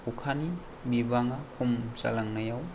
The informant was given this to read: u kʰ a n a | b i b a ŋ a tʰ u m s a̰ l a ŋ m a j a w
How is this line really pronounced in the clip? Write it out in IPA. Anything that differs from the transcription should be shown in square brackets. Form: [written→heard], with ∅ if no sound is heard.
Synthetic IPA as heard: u kʰ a n [a→i] | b i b a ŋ a [tʰ→kʰ] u m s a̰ l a ŋ [m→n] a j a w